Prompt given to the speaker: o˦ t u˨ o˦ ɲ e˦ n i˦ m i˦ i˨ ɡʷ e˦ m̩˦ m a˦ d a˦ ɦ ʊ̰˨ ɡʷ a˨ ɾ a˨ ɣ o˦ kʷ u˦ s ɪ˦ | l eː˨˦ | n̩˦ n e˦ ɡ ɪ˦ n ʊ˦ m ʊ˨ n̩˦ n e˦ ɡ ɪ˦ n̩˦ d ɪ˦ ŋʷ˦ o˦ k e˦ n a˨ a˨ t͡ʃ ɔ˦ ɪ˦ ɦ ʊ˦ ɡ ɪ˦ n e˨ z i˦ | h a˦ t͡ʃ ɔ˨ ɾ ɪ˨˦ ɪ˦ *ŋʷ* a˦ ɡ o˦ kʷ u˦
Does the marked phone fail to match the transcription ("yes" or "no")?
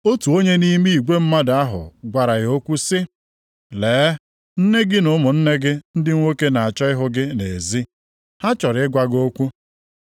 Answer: yes